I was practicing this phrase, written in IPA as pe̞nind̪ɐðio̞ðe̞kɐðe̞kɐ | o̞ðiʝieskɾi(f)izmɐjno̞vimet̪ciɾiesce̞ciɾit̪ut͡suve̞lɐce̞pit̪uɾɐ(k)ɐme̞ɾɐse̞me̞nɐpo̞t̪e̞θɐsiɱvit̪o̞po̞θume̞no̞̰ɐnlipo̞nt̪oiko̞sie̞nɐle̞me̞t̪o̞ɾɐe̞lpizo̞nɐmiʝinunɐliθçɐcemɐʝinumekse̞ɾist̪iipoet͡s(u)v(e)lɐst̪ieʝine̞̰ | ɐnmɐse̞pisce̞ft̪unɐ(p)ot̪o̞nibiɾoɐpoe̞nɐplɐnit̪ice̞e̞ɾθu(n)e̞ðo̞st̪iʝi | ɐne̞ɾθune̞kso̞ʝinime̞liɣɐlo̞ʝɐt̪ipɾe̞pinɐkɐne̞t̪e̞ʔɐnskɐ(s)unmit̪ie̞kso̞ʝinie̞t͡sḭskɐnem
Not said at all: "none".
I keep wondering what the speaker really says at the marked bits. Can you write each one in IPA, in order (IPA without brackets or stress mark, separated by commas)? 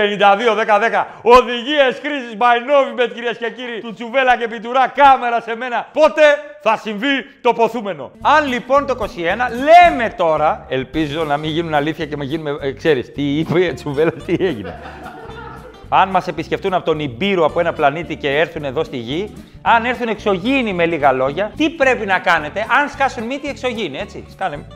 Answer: s, k, u, e, p, n, s